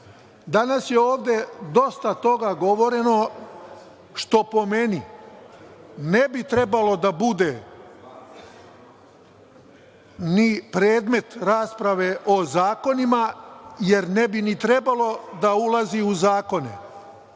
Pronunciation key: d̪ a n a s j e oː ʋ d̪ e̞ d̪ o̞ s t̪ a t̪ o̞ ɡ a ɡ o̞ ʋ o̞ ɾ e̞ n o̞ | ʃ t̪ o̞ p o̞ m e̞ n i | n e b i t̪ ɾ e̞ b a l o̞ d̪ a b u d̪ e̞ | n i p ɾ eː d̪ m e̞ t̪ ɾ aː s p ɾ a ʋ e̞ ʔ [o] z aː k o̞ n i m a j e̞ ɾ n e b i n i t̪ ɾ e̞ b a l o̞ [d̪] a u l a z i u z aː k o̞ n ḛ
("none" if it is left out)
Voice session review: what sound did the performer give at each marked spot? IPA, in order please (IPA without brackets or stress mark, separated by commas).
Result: o, d̪